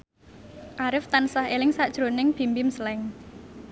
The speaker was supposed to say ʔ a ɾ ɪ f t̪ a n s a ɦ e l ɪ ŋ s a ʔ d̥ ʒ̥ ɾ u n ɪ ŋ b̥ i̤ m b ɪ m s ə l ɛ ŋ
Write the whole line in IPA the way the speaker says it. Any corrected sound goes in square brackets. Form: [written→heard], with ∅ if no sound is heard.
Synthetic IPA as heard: ʔ a ɾ ɪ f t̪ a n s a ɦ e l ɪ ŋ s a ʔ d̥ ʒ̥ ɾ [u→o] n ɪ ŋ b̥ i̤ m b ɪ m s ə l ɛ ŋ